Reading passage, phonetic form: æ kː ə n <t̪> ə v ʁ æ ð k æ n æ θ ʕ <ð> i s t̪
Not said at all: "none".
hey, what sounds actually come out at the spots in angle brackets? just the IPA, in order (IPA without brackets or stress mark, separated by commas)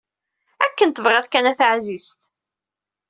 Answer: t̪, z